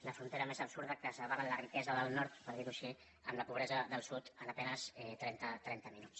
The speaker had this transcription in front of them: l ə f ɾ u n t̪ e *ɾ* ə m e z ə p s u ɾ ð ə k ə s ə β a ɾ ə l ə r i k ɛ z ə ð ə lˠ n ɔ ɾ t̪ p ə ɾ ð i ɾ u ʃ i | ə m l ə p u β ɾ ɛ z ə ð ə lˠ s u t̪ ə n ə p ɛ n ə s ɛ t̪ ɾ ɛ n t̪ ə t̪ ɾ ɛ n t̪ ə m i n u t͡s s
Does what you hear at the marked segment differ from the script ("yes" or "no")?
no